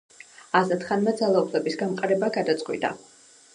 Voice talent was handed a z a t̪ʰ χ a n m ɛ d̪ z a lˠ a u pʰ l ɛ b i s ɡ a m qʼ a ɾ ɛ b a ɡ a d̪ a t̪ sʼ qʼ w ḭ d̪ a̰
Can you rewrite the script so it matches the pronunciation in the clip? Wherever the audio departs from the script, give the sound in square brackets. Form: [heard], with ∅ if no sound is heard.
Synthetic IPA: a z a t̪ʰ χ a n m ɛ d̪ z a lˠ a u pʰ l ɛ b i s ɡ a m qʼ a ɾ ɛ b a ɡ a d̪ a t̪ sʼ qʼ w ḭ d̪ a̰